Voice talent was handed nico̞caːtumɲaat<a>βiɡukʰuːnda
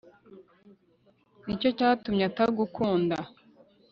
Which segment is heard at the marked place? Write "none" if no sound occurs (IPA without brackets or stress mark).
a